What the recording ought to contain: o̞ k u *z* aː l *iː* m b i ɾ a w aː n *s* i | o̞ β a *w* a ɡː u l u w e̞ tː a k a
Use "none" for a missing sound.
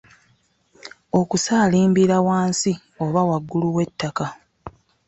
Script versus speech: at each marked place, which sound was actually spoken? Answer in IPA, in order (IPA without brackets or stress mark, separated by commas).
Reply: s, iː, s, w